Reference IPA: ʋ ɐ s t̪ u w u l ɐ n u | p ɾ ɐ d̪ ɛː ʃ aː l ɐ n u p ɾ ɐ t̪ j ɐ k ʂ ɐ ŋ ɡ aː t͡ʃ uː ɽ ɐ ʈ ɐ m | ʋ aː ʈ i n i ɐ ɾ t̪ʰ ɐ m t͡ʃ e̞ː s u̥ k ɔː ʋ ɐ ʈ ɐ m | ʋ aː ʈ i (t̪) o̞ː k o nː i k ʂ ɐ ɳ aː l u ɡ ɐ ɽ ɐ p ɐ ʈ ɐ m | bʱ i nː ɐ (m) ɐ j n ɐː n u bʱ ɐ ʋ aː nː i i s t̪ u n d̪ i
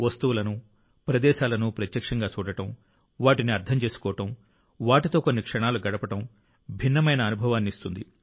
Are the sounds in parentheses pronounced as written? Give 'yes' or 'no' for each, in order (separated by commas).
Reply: yes, yes